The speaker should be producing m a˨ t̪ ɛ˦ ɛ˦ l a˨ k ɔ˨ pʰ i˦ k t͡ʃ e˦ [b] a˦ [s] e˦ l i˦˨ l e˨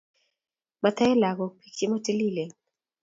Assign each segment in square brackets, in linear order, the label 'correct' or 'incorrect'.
incorrect, incorrect

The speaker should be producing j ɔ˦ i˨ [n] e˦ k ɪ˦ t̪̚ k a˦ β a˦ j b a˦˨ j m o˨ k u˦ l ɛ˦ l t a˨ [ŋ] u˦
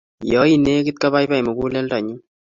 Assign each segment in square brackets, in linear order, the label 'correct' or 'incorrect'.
correct, incorrect

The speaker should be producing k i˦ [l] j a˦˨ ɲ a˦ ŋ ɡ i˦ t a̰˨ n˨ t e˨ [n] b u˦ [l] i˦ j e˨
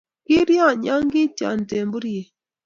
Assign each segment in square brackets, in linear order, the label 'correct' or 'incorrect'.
incorrect, incorrect, incorrect

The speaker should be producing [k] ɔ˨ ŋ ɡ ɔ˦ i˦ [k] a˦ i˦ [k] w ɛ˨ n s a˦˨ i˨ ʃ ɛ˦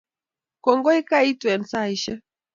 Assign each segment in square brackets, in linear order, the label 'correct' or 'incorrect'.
correct, correct, incorrect

